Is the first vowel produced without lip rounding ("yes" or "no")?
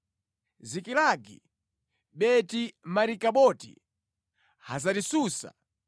yes